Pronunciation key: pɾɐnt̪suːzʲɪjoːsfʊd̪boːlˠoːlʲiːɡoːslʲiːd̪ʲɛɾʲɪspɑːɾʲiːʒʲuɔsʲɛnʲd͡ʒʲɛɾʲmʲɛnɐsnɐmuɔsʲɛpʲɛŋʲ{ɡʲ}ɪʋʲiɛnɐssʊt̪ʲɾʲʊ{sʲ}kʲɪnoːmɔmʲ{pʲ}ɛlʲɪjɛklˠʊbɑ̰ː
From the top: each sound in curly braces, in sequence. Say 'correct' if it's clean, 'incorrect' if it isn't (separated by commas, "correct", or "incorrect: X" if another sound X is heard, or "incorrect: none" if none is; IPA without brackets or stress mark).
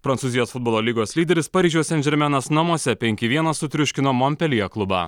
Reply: incorrect: kʲ, incorrect: ʃʲ, correct